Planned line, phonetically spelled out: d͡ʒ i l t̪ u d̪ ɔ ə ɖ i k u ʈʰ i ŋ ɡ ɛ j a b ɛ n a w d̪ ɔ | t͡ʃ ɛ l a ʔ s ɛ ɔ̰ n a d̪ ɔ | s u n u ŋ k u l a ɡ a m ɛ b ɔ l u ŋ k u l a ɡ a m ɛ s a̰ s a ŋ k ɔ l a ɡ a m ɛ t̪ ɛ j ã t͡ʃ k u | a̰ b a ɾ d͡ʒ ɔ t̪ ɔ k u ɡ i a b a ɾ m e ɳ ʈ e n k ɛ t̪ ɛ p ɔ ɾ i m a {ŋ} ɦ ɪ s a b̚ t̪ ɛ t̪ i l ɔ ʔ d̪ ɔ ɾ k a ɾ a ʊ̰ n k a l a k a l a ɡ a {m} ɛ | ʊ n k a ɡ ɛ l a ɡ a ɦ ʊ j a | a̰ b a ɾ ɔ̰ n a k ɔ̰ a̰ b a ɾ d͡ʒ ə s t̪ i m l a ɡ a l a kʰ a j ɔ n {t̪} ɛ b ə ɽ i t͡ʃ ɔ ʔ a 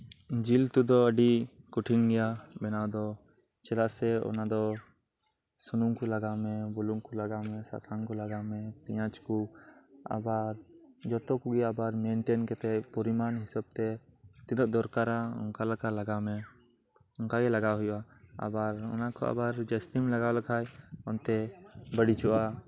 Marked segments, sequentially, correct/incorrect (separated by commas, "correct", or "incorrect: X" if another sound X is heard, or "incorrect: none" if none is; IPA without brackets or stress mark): incorrect: n, correct, correct